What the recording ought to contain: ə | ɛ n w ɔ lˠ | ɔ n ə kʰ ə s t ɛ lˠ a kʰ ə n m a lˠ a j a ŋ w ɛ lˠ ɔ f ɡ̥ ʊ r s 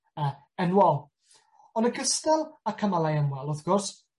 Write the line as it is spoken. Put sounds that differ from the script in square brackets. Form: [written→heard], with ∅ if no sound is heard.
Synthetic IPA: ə | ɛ n w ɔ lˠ | ɔ n ə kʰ ə s t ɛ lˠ a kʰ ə [n→∅] m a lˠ a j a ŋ w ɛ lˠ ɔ [f→θ] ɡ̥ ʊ r s